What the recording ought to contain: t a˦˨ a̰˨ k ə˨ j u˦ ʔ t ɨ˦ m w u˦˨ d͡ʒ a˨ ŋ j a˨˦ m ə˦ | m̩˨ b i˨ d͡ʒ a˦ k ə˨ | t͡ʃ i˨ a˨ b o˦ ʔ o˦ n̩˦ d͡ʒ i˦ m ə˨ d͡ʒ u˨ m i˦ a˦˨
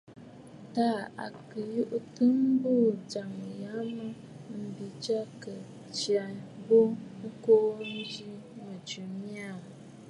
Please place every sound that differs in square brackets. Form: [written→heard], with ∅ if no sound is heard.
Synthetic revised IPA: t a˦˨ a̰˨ k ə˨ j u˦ ʔ t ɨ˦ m [w→b] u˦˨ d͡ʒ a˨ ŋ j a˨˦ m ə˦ | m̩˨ b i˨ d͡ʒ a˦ k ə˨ | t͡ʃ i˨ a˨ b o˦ [ʔ→k] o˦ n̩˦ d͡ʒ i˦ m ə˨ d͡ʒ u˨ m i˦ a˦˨